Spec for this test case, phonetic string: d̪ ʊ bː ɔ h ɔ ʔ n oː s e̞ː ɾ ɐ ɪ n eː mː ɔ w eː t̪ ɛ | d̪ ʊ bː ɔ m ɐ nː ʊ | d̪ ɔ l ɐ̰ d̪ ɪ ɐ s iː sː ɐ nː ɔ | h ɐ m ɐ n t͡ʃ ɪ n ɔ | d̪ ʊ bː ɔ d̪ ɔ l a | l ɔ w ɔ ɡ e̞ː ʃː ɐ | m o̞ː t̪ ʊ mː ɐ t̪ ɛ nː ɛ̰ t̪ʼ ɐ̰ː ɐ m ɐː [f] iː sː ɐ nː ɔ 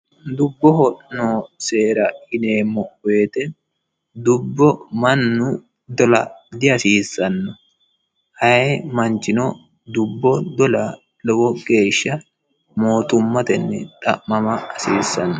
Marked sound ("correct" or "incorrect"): incorrect